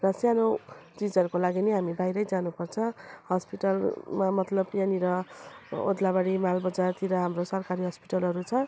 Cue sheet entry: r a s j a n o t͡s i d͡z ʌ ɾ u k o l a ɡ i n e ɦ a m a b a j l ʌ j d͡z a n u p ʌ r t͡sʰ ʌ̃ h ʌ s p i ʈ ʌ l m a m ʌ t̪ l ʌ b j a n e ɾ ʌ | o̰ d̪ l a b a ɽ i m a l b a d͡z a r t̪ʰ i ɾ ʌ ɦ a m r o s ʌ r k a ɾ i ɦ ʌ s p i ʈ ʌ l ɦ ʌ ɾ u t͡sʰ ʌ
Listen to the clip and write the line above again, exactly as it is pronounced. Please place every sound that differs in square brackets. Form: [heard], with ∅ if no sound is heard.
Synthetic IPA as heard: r [ʌ] s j a n o t͡s i d͡z ʌ ɾ u k o l a ɡ i n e ɦ a m [i] b a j [ɾ] ʌ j d͡z a n u p ʌ r t͡sʰ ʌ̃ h ʌ s p i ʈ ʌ l m a m ʌ t̪ l ʌ b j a n [i] ɾ ʌ | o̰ d̪ l a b a ɽ i m a l b [ʌ] d͡z a r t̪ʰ i ɾ ʌ ɦ a m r o s ʌ r k a ɾ i ɦ ʌ s p i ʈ ʌ l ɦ ʌ ɾ u t͡sʰ ʌ